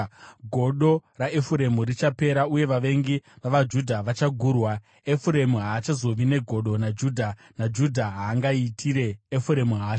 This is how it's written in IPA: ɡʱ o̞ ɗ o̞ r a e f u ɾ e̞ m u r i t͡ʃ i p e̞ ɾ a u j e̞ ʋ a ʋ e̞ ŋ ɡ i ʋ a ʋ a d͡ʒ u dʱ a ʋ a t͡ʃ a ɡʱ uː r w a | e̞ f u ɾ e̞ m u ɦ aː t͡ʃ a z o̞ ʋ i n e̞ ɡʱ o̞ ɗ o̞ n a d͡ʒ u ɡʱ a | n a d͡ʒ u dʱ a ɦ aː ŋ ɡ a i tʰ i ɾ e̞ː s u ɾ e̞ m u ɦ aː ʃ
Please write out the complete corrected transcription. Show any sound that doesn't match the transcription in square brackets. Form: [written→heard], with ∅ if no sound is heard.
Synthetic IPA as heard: ɡʱ o̞ ɗ o̞ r a e f u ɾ e̞ m u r i t͡ʃ [i→a] p e̞ ɾ a u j e̞ ʋ a ʋ e̞ ŋ ɡ i ʋ a ʋ a d͡ʒ u dʱ a ʋ a t͡ʃ a ɡʱ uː r w a | e̞ f u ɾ e̞ m u ɦ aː t͡ʃ a z o̞ ʋ i n e̞ ɡʱ o̞ ɗ o̞ n a d͡ʒ u [ɡʱ→dʱ] a | n a d͡ʒ u dʱ a ɦ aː ŋ ɡ a i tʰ i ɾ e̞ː [s→f] u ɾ e̞ m u ɦ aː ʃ

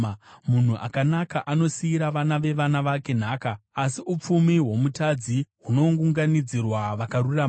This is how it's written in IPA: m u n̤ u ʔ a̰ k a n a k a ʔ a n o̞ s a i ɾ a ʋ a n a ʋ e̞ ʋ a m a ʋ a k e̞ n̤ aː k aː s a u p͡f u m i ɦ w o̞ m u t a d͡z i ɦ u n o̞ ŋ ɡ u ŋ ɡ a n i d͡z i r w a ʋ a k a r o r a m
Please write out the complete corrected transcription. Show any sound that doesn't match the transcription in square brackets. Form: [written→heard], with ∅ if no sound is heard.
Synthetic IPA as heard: m u n̤ u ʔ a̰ k a n a k a ʔ a n o̞ s [a→i] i ɾ a ʋ a n a ʋ e̞ ʋ a [m→n] a ʋ a k e̞ n̤ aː k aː s [a→i] u p͡f u m i ɦ w o̞ m u t a d͡z i ɦ u n o̞ ŋ ɡ u ŋ ɡ a n i d͡z i r w a ʋ a k a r [o→u] r a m

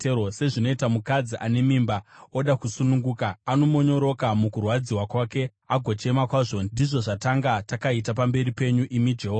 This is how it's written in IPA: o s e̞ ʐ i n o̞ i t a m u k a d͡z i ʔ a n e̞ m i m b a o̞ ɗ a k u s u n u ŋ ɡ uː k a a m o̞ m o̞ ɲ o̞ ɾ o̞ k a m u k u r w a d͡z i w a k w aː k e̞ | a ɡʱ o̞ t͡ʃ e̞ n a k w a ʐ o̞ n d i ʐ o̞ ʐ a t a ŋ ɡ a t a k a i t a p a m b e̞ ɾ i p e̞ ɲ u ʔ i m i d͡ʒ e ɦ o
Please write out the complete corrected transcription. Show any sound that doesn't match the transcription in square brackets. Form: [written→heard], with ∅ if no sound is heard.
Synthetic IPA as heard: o s e̞ ʐ i n o̞ i t a m u k a d͡z i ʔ a n e̞ m i m b a o̞ ɗ a k u s u n u ŋ ɡ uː k a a [m→n] o̞ m o̞ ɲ o̞ ɾ o̞ k a m u k u r w a d͡z i w a k w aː k e̞ | a ɡʱ o̞ t͡ʃ e̞ [n→m] a k w a ʐ o̞ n d i ʐ o̞ ʐ a t a ŋ ɡ a t a k a i t a p a m b e̞ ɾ i p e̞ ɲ u ʔ i m i d͡ʒ e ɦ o

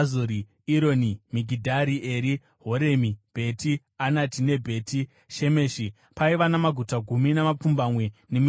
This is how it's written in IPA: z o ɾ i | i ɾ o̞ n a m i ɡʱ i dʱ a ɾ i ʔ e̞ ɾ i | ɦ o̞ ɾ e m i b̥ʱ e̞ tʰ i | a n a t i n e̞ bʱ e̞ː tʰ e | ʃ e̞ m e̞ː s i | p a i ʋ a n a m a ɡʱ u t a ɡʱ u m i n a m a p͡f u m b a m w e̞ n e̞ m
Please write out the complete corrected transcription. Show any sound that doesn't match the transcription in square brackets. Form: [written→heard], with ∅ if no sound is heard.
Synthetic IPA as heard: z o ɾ i | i ɾ o̞ n [a→i] m i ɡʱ i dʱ a ɾ i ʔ e̞ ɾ i | ɦ o̞ ɾ e m i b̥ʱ e̞ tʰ i | a n a t i n e̞ bʱ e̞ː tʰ [e→i] | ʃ e̞ m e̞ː [s→ʃ] i | p a i ʋ a n a m a ɡʱ u t a ɡʱ u m i n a m a p͡f u m b a m w e̞ n e̞ m

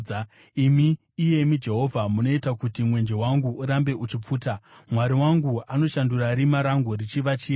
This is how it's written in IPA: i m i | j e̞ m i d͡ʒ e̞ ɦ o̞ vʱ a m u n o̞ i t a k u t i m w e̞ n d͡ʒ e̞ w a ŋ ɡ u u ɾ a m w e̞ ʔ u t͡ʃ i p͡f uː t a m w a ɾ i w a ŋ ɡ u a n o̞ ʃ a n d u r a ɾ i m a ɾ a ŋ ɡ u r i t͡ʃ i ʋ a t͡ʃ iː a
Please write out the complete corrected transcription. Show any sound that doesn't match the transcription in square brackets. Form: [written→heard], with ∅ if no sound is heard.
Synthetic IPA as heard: i m [i→iː] | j e̞ m i d͡ʒ e̞ ɦ o̞ vʱ a m u n o̞ i t a k u t i m w e̞ n d͡ʒ e̞ w a ŋ ɡ u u ɾ a m [w→b] e̞ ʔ u t͡ʃ i p͡f uː t a m w a ɾ i w a ŋ ɡ u a n o̞ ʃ a n d u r a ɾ i m a ɾ a ŋ ɡ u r i t͡ʃ i ʋ a t͡ʃ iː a

